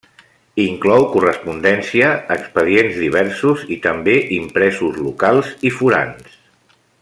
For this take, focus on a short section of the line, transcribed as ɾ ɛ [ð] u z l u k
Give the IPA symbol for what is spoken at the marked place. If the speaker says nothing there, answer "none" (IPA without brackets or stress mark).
z